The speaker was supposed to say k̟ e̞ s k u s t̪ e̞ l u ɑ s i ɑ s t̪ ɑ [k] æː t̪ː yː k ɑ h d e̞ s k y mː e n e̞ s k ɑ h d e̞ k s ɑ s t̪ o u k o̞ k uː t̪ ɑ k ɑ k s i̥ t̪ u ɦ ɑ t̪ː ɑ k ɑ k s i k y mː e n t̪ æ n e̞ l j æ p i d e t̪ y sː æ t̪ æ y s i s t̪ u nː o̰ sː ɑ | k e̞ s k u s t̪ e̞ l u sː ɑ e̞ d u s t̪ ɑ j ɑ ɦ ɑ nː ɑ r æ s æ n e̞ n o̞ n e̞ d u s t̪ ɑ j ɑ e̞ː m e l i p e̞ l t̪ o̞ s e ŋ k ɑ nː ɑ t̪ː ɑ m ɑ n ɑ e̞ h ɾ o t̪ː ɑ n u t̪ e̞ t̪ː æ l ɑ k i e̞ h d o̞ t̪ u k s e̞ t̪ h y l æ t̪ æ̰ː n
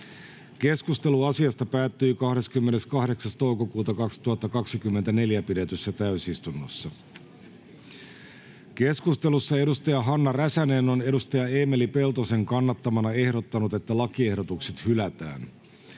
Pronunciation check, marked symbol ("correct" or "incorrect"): incorrect